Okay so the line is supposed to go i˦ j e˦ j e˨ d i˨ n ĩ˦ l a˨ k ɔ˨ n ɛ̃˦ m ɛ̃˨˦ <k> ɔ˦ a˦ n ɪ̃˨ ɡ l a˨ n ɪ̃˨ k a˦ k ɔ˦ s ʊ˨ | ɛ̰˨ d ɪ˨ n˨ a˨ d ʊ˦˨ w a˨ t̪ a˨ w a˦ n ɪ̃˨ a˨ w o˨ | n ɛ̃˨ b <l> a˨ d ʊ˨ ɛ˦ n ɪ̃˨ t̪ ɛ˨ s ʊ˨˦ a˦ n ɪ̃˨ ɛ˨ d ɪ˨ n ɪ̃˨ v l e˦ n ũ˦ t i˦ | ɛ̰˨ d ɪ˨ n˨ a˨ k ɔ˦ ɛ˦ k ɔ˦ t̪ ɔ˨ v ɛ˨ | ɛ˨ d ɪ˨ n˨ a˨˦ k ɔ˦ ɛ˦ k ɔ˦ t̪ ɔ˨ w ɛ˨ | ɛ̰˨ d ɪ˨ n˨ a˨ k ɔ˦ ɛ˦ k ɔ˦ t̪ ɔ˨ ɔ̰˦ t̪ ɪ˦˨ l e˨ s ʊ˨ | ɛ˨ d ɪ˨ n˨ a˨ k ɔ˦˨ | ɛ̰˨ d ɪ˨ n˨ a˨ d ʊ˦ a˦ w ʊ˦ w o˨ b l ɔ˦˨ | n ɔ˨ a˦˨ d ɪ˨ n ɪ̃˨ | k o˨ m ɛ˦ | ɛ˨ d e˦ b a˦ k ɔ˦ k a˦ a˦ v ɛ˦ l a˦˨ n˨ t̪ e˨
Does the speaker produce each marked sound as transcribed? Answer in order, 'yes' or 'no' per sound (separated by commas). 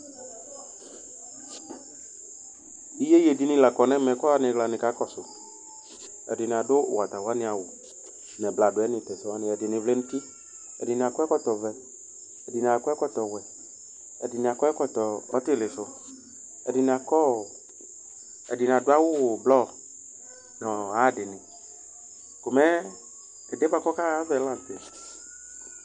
yes, yes